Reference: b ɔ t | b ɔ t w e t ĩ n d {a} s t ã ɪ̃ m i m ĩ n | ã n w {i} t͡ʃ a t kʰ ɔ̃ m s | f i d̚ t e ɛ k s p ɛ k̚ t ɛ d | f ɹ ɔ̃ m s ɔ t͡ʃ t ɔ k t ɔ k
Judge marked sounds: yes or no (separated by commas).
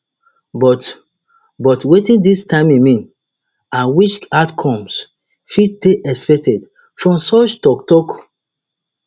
no, yes